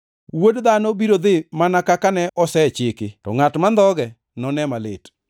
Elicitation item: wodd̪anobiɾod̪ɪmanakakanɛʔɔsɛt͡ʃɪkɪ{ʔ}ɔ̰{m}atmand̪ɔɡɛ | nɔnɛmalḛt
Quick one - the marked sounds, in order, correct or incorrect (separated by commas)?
incorrect, incorrect